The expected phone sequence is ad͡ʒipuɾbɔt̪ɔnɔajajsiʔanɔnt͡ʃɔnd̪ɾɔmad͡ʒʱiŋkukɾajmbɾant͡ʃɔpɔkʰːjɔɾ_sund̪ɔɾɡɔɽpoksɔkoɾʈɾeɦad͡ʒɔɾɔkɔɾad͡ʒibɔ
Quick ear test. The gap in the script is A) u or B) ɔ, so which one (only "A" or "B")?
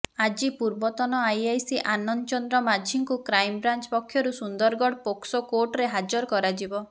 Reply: A